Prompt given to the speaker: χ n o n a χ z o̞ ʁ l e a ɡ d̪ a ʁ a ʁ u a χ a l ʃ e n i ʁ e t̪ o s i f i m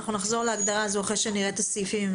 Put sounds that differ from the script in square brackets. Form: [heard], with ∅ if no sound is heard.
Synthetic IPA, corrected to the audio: χ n [u] n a χ z o̞ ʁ l e a ɡ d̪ a ʁ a [z] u a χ [e] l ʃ e n i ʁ e t̪ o s i f i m